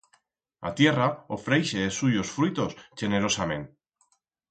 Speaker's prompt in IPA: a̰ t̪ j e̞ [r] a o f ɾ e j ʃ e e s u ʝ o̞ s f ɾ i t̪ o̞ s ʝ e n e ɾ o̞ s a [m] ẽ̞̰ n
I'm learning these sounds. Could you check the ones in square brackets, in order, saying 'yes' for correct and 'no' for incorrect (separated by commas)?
yes, yes